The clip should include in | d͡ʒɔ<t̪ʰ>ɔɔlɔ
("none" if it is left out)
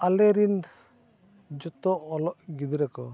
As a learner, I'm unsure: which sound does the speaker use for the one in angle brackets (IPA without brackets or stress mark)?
t̪